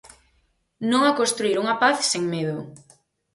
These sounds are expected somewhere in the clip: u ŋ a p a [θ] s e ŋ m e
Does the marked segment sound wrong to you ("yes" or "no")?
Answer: no